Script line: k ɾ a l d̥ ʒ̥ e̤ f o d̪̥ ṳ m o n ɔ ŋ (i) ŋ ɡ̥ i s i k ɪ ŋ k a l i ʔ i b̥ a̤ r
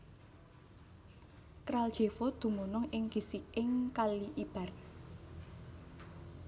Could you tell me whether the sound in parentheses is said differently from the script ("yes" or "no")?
yes